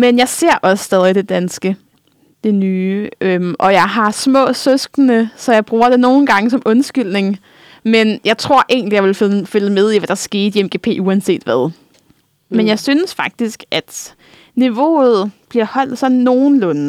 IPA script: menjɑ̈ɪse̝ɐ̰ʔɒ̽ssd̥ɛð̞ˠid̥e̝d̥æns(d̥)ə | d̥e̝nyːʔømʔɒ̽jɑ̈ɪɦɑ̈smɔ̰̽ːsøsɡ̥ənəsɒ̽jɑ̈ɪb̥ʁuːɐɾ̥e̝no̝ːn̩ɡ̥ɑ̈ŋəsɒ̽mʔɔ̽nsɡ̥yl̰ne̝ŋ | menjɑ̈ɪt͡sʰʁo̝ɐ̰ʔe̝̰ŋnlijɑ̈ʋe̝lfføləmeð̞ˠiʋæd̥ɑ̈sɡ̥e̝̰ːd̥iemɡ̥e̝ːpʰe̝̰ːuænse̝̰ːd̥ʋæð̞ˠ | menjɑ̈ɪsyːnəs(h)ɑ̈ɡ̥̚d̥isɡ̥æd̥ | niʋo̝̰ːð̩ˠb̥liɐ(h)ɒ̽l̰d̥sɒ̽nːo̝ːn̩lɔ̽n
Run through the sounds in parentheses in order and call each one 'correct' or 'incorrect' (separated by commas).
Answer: incorrect, incorrect, correct